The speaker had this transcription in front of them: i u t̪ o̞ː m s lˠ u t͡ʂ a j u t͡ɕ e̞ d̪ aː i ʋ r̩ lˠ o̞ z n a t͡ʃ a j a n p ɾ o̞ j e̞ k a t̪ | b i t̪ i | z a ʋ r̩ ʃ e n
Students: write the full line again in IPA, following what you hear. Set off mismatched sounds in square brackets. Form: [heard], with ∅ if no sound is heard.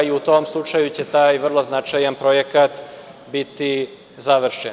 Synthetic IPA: i u t̪ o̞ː m s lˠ u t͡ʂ a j u t͡ɕ e̞ [t̪] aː [j] ʋ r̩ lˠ o̞ z n a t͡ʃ a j a n p ɾ o̞ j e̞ k a t̪ | b i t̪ i | z a ʋ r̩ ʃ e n